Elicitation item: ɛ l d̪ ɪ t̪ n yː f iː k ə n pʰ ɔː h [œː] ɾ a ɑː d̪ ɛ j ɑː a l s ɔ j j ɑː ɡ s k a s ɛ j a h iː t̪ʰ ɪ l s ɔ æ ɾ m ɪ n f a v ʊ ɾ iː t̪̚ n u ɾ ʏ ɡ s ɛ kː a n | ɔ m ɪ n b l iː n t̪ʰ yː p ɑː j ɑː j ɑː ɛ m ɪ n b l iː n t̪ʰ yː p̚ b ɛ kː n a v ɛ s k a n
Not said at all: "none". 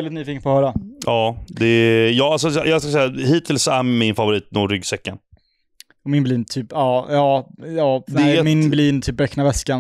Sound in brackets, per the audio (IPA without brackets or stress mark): œː